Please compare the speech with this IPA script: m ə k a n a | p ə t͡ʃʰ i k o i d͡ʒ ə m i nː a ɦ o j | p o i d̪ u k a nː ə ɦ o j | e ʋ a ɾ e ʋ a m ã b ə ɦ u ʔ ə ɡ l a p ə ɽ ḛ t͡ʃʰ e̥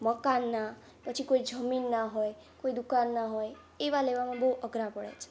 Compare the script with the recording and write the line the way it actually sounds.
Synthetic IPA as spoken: m ə k a nː a | p ə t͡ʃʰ i k o i d͡ʒ ə m i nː a ɦ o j | k o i d̪ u k a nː a ɦ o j | e ʋ a l e ʋ a m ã b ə ɦ u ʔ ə ɡ ɾ a p ə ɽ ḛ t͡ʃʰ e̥